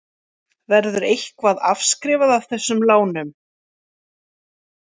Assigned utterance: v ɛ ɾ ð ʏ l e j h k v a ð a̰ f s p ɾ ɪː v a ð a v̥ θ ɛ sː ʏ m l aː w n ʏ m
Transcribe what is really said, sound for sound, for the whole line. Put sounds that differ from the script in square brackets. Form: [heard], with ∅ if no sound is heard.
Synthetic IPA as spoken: v ɛ ɾ ð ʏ [ɾ] e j h k v a ð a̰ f s [k] ɾ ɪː v a ð a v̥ θ ɛ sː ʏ m l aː w n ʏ m